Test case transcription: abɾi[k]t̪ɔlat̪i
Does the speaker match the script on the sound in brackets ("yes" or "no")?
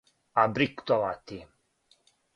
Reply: yes